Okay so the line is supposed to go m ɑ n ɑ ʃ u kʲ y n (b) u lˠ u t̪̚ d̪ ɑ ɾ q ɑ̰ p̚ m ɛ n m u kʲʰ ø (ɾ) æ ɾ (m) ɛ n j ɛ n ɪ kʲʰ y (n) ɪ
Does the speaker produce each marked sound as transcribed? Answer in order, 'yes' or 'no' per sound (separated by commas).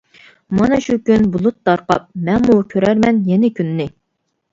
yes, yes, yes, no